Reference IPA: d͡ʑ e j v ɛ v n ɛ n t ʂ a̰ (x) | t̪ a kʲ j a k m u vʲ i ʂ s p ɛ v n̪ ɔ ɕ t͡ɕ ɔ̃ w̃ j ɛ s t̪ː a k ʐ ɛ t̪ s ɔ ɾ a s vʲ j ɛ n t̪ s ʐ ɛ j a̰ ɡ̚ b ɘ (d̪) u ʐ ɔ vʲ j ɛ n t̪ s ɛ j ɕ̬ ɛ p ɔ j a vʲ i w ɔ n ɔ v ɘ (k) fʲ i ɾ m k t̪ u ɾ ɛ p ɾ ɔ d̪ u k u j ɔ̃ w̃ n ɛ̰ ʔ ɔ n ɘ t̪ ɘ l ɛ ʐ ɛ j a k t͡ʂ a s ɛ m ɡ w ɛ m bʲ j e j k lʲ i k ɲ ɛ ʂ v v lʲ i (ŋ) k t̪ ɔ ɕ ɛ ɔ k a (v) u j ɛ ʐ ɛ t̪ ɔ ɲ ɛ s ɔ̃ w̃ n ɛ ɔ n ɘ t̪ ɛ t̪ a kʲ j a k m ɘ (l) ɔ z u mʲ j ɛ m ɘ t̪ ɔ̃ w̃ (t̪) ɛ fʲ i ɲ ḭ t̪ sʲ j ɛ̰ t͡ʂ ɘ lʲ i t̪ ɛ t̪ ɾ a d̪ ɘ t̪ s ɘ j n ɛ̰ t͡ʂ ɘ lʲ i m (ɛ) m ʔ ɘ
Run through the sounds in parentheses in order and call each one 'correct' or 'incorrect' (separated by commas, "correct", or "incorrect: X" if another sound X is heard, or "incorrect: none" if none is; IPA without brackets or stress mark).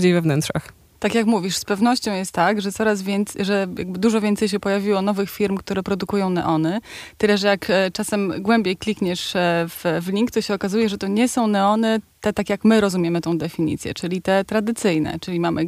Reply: correct, correct, incorrect: x, correct, incorrect: z, incorrect: ɾ, incorrect: d̪, incorrect: a